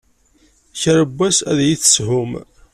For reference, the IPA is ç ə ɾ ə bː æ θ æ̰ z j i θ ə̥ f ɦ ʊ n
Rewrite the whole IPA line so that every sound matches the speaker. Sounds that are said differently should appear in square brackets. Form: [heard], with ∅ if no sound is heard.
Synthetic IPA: ç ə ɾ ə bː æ [s] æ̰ [ð] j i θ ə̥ [s] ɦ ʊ [m]